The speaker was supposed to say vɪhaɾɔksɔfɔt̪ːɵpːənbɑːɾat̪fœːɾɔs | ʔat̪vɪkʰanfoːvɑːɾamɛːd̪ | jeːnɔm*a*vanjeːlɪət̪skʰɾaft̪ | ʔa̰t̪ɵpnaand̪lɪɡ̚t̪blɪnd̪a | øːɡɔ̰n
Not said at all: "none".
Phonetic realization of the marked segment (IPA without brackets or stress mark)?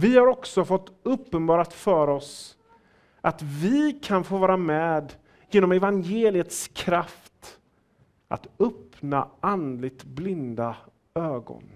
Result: ɛ